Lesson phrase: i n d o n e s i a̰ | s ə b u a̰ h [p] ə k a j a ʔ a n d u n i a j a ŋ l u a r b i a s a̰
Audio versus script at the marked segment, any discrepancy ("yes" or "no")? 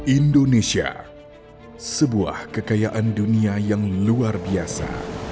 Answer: yes